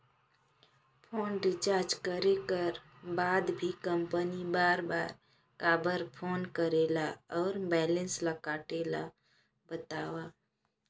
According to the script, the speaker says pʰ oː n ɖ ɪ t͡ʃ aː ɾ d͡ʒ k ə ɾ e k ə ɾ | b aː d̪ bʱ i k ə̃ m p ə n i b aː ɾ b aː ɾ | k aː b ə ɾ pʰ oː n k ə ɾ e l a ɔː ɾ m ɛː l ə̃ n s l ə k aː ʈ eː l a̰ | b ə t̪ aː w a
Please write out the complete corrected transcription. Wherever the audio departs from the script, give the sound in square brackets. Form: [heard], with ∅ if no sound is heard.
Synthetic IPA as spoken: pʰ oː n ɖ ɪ t͡ʃ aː ɾ d͡ʒ k ə ɾ e k ə ɾ | b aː d̪ bʱ i k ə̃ m p ə n i b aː ɾ b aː ɾ | k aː b ə ɾ pʰ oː n k ə ɾ e l a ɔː ɾ [b] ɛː l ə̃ n s l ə k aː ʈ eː l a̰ | b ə t̪ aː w a